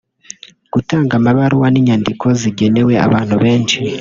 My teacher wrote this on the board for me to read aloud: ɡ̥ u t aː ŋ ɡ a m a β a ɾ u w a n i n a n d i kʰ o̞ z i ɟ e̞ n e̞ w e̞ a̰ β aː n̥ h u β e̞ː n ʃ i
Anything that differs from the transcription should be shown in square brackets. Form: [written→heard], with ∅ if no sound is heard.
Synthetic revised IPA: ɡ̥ u t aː ŋ ɡ a m a β a ɾ u w a n i [n→ɲ] a n d i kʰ o̞ z i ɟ e̞ n e̞ w e̞ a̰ β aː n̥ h u β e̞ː n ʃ i